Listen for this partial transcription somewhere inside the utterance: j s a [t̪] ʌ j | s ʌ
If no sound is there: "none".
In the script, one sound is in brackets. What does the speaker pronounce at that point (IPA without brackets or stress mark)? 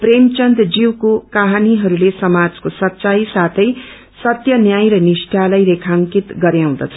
t̪ʰ